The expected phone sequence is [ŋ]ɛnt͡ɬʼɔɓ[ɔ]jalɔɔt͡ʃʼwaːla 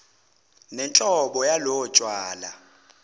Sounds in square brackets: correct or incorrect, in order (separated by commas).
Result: incorrect, correct